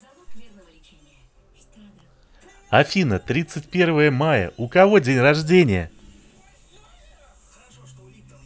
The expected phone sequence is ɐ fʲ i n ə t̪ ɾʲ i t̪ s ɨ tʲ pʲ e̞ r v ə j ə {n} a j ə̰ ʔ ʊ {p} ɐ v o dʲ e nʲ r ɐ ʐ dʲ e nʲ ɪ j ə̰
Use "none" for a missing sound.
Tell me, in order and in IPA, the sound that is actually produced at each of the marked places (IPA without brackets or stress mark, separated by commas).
m, k